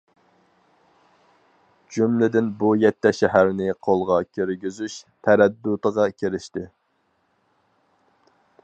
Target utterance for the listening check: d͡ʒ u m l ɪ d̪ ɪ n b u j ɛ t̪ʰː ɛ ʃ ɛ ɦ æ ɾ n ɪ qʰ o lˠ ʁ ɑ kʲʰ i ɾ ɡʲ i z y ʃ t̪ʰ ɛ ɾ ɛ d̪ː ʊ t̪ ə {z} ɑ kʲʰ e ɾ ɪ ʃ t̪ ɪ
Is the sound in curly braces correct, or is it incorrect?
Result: incorrect